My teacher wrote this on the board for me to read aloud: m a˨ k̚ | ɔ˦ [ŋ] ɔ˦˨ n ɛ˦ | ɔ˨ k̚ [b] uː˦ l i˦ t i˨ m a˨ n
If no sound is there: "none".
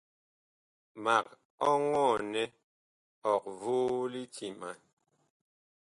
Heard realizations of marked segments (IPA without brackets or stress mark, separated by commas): ŋ, v